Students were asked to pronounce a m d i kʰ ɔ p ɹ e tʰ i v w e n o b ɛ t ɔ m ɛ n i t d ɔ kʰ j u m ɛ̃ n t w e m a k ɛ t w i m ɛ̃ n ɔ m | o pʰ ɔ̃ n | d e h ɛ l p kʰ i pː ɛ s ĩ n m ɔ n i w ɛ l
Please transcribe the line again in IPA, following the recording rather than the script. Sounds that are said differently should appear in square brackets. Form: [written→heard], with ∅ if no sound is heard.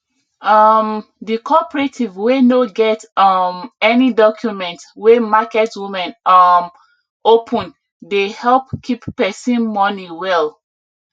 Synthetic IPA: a m d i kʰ ɔ p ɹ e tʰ i v w e n o [b→ɡ] ɛ t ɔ m ɛ n i [t→∅] d ɔ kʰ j u m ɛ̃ n t w e m a k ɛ t w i m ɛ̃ n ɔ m | o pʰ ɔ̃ n | d e h ɛ l p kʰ i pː ɛ s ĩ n m ɔ n i w ɛ l